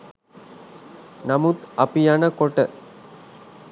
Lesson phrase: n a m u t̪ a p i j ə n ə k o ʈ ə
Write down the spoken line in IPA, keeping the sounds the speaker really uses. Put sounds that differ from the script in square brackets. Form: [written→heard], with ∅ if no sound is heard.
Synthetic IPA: n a m u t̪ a p i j [ə→a] n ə k o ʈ ə

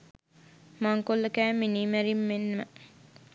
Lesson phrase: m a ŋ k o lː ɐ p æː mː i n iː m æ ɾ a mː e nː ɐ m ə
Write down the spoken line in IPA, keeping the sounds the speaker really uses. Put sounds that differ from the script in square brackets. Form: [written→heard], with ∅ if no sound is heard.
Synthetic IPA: m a ŋ k o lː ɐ [p→k] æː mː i n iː m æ ɾ [a→i] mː e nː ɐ m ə

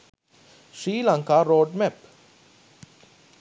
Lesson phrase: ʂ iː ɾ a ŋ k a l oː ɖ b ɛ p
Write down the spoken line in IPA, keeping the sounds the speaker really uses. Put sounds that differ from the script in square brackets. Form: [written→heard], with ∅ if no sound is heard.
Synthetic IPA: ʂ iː [ɾ→l] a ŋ k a [l→ɾ] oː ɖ [b→m] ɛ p

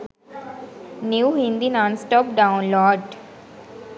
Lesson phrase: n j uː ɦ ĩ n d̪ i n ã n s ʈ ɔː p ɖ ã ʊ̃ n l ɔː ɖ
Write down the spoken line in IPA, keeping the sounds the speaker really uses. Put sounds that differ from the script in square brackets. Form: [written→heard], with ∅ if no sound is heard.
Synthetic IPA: n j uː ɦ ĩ n d̪ i n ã n s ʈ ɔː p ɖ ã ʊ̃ n l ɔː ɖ

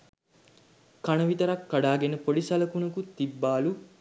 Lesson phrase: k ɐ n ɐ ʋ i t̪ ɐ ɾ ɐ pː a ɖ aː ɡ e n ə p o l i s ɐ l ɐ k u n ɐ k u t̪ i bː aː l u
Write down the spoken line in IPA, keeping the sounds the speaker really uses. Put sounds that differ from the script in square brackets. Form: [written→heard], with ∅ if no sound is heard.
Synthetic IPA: k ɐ n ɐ ʋ i t̪ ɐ ɾ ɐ [pː→kː] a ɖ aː ɡ e n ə p o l i s ɐ l ɐ k u n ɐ k u t̪ i bː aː l u

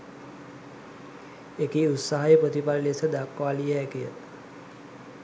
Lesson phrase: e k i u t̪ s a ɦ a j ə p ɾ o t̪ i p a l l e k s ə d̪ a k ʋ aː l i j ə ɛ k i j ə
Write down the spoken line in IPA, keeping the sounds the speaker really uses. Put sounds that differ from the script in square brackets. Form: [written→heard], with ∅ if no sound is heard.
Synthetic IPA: e k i u t̪ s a ɦ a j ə p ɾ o t̪ i p a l l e [k→∅] s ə d̪ a k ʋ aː l i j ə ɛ k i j ə

